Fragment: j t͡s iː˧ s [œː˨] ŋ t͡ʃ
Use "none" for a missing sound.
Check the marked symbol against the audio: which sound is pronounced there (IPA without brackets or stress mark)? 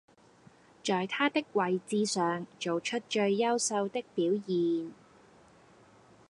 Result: œː˨